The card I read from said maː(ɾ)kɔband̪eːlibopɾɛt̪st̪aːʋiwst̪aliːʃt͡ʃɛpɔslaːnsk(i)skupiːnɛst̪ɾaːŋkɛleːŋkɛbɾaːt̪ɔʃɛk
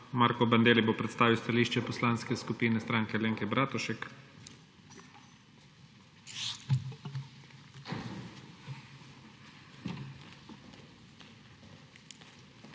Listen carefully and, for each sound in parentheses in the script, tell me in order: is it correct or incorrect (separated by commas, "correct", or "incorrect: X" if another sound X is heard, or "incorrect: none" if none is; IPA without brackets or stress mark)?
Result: correct, incorrect: ɛ